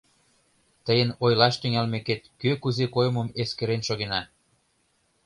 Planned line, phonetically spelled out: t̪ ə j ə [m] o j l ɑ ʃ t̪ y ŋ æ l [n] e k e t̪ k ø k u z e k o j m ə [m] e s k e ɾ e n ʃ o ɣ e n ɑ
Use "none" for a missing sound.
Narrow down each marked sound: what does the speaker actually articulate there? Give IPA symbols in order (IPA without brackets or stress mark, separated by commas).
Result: n, m, m